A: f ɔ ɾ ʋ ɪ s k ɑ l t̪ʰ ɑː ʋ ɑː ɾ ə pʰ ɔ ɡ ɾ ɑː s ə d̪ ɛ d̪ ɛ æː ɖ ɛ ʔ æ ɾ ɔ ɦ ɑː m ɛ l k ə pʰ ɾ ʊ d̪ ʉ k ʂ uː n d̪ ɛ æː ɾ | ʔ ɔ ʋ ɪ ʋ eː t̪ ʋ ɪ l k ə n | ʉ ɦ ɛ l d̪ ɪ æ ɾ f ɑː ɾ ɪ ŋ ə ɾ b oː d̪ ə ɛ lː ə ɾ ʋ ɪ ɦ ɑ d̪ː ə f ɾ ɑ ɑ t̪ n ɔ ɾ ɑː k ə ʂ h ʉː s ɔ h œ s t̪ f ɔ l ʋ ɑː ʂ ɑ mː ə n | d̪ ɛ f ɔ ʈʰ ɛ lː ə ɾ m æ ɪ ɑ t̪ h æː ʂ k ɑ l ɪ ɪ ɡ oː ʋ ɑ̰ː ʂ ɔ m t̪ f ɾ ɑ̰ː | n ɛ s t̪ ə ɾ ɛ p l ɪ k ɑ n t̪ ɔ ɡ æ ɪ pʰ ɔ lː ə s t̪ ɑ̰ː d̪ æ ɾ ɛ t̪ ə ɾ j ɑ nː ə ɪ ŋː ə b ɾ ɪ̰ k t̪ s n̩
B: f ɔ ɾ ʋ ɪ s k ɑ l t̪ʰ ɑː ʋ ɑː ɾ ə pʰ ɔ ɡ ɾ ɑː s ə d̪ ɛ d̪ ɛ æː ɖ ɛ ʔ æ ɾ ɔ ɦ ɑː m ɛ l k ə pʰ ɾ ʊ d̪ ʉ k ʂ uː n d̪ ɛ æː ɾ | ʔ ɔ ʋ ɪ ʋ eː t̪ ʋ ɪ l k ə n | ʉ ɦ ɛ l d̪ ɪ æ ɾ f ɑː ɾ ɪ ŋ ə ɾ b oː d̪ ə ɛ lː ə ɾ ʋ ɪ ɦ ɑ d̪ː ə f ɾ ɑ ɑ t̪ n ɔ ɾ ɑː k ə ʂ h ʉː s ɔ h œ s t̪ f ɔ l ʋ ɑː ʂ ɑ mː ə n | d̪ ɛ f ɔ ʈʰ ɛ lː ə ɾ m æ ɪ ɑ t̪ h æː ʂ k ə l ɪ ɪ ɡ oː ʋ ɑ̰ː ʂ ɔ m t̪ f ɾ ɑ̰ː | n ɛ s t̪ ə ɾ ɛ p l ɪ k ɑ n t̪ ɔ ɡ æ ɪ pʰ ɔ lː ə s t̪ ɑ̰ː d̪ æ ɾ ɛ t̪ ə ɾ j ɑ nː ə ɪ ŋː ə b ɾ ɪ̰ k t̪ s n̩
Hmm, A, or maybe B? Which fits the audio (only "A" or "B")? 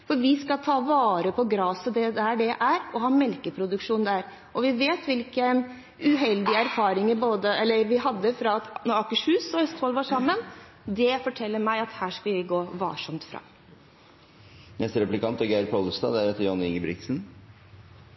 A